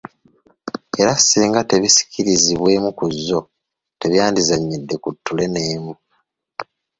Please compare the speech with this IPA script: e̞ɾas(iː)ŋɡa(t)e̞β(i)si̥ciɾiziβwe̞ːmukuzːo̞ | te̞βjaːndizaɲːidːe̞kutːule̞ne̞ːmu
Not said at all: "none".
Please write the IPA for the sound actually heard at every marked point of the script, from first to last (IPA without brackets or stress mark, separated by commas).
iː, t, i